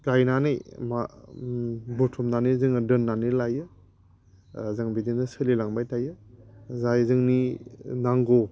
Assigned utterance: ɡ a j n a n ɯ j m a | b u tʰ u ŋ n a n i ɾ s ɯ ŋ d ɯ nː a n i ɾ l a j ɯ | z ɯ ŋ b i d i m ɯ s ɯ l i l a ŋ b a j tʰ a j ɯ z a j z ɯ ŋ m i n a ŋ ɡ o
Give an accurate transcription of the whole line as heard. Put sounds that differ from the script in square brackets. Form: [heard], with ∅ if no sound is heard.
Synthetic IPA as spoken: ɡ a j n a n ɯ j m a | b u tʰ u [m] n a n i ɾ [z] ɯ ŋ d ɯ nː a n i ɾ l a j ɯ | z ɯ ŋ b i d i [n] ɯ s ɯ l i l a ŋ b a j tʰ a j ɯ z a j z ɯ ŋ [n] i n a ŋ ɡ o

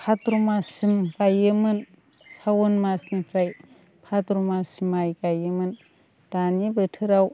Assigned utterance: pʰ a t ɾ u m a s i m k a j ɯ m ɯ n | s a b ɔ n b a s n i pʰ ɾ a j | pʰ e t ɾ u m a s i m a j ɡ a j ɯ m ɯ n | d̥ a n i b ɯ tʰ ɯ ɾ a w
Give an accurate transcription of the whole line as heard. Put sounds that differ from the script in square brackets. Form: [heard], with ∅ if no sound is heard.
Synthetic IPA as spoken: pʰ a t ɾ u m a s i m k a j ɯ m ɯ n | s a [w] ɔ n [m] a s n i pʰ ɾ a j | pʰ [a] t ɾ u m a s i m a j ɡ a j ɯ m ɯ n | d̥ a n i b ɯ tʰ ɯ ɾ a w

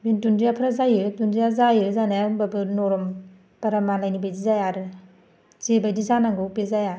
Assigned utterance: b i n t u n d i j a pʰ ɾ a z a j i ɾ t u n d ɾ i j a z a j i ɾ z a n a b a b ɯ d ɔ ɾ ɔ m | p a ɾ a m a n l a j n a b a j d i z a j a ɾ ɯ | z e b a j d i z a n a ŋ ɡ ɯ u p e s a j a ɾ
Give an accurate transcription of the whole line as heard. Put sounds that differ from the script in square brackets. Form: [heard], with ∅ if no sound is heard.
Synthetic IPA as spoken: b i n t u n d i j a pʰ ɾ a z a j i ɾ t u n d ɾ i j a z a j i ɾ z a n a b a b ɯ [n] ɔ ɾ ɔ m | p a ɾ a m a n l a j n [i] b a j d i z a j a ɾ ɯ | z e b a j d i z a n a ŋ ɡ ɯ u p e [z] a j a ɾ

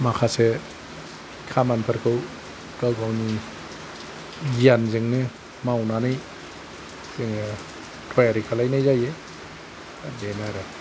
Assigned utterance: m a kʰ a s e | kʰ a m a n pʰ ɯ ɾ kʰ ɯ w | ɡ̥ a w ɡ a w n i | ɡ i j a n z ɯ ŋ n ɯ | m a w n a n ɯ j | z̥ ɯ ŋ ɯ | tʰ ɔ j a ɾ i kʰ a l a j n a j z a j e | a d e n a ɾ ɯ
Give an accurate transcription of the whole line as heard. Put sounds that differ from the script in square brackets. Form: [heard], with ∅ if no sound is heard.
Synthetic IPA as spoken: m a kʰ a s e | kʰ a m a n pʰ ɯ ɾ kʰ ɯ w | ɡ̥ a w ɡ a w n i | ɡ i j a n z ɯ ŋ n ɯ | m a w n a n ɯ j | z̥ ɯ ŋ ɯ | tʰ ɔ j a ɾ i kʰ a l a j n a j z a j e | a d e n a ɾ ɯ

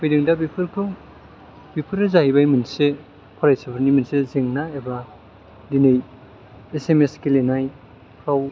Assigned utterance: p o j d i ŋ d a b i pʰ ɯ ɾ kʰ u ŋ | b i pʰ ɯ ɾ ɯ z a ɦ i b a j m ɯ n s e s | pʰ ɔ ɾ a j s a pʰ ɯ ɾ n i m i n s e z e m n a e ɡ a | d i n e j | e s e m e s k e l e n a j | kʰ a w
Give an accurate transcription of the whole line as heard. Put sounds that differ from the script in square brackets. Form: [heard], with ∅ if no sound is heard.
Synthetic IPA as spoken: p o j d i ŋ d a b i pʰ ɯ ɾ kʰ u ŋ | b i pʰ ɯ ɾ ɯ z a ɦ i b a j m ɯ n s e [∅] | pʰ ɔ ɾ a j s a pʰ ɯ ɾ n i m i n s e z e [ŋ] n a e [b] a | d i n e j | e s e m e s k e l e n a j | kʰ a w

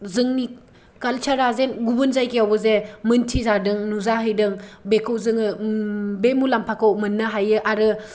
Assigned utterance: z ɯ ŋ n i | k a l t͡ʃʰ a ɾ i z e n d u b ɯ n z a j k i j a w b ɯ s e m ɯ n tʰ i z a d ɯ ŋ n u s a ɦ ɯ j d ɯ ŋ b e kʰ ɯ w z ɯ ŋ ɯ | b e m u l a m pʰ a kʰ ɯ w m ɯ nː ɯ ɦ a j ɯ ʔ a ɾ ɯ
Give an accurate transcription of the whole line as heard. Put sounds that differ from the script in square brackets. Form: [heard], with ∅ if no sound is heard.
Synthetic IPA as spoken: z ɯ ŋ n i | k a l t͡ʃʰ a ɾ [a] z e n [ɡ] u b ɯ n z a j k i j a w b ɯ [z] e m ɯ n tʰ i z a d ɯ ŋ n u [z] a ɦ ɯ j d ɯ ŋ b e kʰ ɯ w z ɯ ŋ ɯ | b e m u l a m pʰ a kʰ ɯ w m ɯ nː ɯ ɦ a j ɯ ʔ a ɾ ɯ

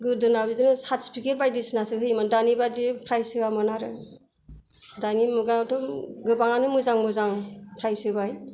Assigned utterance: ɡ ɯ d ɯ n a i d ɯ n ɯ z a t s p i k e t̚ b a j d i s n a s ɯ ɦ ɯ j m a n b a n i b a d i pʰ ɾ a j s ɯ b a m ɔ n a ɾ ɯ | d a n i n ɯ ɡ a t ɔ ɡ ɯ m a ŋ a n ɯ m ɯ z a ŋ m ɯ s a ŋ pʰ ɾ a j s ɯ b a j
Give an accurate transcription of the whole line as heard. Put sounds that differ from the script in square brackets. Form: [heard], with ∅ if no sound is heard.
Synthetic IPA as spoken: ɡ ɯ d ɯ n a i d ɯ n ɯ [s] a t s p i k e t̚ b a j d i s n a s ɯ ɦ ɯ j m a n [d] a n i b a d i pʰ ɾ a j s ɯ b a m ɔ n a ɾ ɯ | d a n i [m] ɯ ɡ a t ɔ ɡ ɯ [b] a ŋ a n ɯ m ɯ z a ŋ m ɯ [z] a ŋ pʰ ɾ a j s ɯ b a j

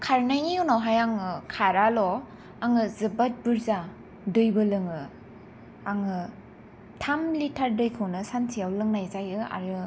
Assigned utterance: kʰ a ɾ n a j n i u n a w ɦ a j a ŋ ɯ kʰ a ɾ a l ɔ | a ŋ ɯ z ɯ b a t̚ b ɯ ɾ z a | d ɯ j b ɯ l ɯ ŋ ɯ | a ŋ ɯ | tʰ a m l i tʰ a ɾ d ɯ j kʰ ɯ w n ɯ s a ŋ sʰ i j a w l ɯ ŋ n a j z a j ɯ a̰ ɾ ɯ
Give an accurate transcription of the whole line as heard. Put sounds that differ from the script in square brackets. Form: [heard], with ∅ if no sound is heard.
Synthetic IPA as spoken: kʰ a ɾ n a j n i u n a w ɦ a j a ŋ ɯ kʰ a ɾ a l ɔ | a ŋ ɯ z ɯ b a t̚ b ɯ ɾ z a | d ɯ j b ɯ l ɯ ŋ ɯ | a ŋ ɯ | tʰ a m l i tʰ a ɾ d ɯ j kʰ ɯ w n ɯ s a [n] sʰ i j a w l ɯ ŋ n a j z a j ɯ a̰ ɾ ɯ

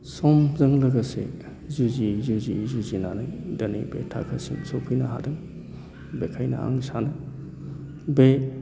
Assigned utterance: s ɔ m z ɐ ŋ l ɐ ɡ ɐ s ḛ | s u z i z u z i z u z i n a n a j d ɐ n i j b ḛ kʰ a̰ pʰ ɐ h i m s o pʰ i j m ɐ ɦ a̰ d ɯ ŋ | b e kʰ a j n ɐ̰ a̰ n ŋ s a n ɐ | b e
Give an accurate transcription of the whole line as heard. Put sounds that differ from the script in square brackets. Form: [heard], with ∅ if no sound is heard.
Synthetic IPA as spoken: s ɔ m z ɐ ŋ l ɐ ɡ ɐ s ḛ | [z] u z i z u z i z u z i n a n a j d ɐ n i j b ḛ [tʰ] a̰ [kʰ] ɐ [s] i [ŋ] s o pʰ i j [n] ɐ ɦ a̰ d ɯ ŋ | b e kʰ a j n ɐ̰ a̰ [∅] ŋ s a n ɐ | b e

